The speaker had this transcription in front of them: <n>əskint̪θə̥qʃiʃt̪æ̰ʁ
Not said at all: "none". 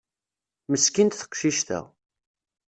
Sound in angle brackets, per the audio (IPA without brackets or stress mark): m